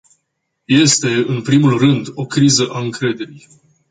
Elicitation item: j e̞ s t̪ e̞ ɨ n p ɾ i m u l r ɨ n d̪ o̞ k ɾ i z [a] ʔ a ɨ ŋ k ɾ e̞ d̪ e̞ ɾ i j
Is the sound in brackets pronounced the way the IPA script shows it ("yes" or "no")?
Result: no